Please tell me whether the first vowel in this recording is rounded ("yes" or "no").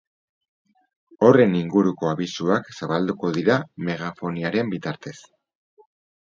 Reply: yes